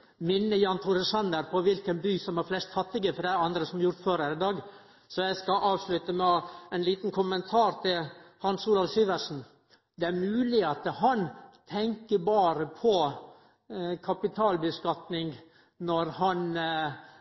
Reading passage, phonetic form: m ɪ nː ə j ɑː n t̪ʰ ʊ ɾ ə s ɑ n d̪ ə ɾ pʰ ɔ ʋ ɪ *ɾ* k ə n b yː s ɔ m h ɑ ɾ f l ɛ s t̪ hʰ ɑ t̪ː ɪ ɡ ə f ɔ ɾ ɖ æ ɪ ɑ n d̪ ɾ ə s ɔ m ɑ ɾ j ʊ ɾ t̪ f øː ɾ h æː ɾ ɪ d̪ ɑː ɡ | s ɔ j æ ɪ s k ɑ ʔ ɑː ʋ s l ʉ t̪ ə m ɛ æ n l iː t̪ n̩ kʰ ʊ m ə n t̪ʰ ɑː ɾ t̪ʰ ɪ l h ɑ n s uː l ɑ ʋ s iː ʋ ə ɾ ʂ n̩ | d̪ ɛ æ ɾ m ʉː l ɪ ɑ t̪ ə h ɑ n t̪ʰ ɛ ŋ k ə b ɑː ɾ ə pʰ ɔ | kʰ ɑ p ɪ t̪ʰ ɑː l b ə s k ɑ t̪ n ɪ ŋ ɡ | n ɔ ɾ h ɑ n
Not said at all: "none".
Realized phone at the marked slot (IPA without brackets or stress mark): l